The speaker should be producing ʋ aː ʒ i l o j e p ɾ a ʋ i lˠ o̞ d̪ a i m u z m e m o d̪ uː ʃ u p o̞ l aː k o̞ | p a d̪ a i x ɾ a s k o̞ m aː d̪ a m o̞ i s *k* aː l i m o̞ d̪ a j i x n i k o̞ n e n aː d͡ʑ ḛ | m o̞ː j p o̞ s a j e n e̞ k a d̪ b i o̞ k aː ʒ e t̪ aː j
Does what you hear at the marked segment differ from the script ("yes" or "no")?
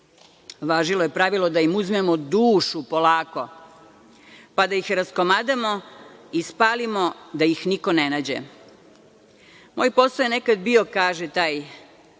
yes